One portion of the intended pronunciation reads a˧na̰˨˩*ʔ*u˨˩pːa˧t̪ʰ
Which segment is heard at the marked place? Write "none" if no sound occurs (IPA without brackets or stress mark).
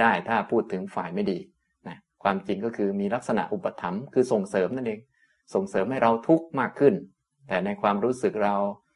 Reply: ʔ